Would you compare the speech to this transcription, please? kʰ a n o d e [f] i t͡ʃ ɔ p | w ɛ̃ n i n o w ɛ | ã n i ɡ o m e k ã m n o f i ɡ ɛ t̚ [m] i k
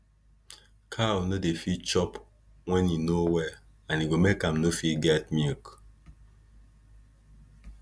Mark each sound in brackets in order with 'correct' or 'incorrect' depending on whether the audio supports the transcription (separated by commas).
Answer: correct, correct